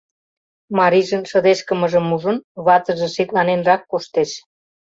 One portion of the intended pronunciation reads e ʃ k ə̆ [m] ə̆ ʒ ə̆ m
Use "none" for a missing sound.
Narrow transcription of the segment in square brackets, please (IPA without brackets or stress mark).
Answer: m